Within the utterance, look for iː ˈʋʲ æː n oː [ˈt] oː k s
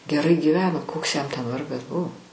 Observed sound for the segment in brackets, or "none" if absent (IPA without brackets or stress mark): k